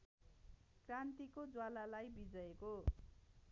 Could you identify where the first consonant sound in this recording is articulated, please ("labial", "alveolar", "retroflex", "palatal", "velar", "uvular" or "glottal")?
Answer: velar